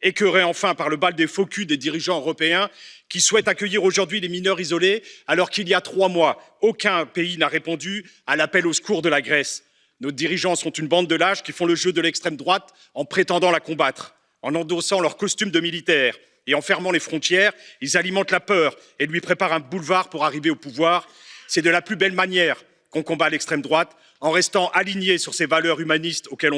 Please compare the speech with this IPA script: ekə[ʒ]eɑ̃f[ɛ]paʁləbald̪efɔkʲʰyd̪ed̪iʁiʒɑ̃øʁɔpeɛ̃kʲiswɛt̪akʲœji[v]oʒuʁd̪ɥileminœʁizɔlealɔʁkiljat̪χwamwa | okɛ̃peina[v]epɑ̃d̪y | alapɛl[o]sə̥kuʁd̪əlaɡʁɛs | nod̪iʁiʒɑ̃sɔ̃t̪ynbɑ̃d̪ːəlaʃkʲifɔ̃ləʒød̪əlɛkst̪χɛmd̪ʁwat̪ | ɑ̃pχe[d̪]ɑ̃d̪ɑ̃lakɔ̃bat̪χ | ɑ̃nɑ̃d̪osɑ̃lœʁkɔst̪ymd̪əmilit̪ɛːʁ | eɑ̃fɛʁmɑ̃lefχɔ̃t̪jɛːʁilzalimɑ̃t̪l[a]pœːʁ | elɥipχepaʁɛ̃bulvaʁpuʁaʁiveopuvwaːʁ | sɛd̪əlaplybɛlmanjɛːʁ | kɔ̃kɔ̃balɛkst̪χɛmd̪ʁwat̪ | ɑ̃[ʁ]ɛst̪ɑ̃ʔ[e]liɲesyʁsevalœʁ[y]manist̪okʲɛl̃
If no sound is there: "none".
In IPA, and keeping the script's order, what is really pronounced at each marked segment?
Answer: ʁ, ɛ̃, ʁ, ʁ, o, t̪, a, ʁ, a, y

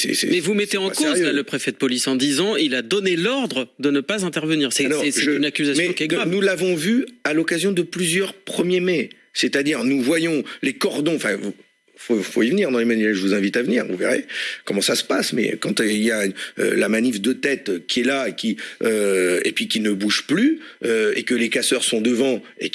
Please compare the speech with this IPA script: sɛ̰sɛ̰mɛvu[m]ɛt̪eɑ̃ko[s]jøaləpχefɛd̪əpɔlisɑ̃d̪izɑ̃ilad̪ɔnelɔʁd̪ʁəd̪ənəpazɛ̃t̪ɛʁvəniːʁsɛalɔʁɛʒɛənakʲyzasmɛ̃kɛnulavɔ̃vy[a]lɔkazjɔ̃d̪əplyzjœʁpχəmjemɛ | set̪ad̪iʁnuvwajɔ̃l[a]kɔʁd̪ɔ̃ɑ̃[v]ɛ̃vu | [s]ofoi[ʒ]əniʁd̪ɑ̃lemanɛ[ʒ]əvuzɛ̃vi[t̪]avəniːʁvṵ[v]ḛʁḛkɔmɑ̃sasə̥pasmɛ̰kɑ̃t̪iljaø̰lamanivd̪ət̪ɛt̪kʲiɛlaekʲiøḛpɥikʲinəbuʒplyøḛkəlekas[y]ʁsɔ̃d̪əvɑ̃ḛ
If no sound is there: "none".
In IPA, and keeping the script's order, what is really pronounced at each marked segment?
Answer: m, z, a, e, f, f, v, ʒ, t̪, v, œ

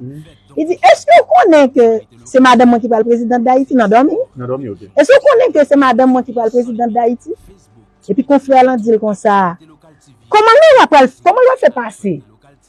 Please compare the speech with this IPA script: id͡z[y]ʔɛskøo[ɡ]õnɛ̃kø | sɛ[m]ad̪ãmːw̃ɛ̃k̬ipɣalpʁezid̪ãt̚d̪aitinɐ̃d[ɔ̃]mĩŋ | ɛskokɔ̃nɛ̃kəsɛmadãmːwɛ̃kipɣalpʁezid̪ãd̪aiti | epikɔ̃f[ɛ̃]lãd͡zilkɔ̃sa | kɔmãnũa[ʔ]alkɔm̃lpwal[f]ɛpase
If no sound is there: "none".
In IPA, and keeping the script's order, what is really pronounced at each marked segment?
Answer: i, k, m, ɔ, ɛ, p, f

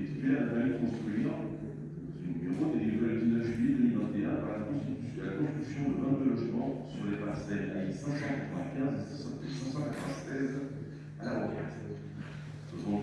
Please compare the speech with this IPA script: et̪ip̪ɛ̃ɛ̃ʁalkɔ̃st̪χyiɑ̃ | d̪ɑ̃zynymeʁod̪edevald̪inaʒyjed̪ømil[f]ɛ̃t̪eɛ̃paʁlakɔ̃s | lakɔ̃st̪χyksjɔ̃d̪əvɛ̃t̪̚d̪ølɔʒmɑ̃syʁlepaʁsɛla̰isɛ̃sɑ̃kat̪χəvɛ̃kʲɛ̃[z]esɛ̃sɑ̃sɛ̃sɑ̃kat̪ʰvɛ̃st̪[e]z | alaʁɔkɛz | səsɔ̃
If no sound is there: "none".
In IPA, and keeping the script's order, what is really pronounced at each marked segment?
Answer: v, z, ɛ

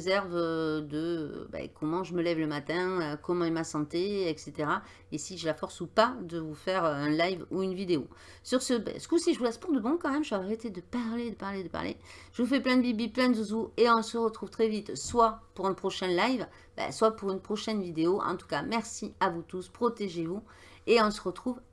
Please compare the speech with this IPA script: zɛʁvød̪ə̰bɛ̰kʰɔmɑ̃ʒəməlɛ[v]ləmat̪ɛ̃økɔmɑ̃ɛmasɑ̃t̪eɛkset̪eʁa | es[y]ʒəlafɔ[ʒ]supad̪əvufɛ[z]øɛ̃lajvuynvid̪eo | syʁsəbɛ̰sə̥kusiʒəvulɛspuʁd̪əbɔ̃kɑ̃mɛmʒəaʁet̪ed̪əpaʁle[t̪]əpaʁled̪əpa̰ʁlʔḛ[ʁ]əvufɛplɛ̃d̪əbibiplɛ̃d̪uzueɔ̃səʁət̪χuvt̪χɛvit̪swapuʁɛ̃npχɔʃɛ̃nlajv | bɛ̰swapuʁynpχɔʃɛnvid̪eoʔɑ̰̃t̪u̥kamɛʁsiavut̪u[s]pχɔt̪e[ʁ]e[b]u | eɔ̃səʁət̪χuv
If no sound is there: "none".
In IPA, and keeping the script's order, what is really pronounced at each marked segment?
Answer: v, i, ʁ, ʁ, d̪, ʒ, s, ʒ, v

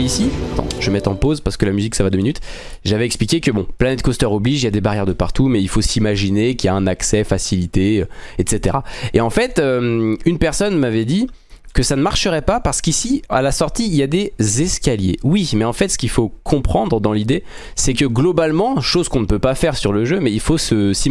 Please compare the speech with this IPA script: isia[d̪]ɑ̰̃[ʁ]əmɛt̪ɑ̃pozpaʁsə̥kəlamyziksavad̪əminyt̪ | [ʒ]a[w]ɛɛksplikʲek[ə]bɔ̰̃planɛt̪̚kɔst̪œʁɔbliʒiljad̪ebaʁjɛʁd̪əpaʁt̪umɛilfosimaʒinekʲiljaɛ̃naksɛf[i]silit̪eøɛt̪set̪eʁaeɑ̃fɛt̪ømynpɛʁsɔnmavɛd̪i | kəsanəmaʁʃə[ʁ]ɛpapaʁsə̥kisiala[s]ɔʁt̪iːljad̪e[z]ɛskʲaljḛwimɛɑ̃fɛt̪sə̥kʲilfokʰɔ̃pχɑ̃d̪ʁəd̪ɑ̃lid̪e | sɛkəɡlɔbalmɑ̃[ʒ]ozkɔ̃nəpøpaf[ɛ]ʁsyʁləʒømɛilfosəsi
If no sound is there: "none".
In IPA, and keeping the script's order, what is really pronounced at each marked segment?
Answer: t̪, ʒ, ʒ, v, ə, a, ʁ, s, z, ʃ, ɛ

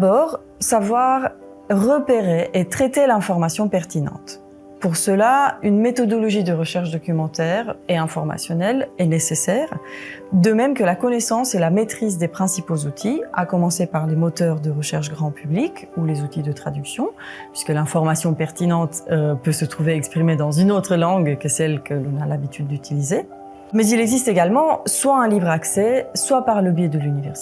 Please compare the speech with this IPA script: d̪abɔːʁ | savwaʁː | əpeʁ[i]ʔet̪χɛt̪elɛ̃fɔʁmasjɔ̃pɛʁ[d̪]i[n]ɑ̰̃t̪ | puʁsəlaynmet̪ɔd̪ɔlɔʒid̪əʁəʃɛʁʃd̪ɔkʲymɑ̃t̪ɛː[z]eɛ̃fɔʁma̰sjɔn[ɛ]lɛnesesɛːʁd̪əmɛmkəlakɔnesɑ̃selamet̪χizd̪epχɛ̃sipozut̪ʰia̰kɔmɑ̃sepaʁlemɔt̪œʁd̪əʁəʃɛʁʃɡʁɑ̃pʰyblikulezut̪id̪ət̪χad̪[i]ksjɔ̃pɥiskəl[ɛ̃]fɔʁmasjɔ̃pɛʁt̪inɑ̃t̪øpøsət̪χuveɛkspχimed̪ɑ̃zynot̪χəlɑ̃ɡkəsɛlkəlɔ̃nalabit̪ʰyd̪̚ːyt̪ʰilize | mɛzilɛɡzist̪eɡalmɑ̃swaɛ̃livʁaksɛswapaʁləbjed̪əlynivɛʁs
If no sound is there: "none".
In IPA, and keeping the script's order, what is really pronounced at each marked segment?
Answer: e, t̪, n, ʁ, ɛ, y, ɛ̃

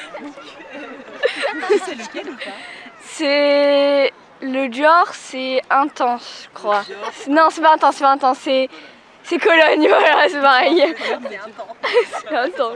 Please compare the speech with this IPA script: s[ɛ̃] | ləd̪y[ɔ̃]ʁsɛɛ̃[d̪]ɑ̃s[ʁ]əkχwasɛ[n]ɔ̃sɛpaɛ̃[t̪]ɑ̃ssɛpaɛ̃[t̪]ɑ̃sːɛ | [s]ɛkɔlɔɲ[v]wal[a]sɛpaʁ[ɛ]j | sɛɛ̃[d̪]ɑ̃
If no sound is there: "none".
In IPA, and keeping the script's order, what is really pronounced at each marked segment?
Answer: ɛ, ɔ, t̪, ʒ, n, t̪, t̪, s, v, a, ɛ, t̪

